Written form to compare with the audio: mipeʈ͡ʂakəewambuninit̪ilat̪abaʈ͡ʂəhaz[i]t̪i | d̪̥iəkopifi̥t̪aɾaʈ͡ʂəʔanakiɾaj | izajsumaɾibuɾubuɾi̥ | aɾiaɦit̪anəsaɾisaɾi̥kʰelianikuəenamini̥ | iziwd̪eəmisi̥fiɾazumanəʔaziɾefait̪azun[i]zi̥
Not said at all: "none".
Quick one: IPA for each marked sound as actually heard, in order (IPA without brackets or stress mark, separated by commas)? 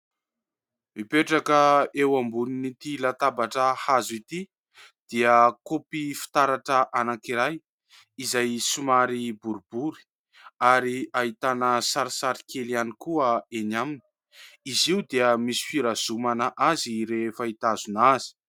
i, a